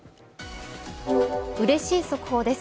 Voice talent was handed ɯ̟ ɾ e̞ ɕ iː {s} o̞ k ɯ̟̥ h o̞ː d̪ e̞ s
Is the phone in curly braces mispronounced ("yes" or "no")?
no